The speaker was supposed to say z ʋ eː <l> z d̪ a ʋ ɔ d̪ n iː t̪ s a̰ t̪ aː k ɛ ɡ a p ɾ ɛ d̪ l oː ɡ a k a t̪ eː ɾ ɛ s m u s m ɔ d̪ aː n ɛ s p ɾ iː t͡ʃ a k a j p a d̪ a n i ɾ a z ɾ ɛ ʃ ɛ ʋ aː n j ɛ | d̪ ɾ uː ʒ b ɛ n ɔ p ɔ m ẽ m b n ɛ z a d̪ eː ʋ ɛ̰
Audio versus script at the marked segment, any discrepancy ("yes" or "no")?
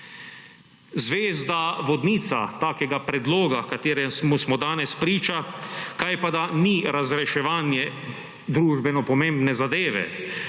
yes